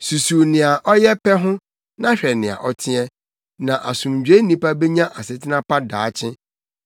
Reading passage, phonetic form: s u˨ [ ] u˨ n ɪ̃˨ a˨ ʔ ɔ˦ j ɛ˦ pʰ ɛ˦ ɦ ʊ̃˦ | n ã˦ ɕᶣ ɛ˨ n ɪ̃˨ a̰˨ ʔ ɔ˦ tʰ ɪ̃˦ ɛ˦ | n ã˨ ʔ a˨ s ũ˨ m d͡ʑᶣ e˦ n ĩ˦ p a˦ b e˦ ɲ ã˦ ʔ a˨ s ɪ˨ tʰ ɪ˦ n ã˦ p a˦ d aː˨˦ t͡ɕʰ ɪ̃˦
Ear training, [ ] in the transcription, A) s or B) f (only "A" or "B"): A